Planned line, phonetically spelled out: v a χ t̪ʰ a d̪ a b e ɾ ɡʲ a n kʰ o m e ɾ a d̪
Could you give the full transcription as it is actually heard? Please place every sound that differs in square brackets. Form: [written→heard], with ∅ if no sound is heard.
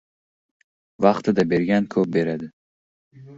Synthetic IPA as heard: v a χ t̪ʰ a d̪ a b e ɾ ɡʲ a n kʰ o [m→b] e ɾ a d̪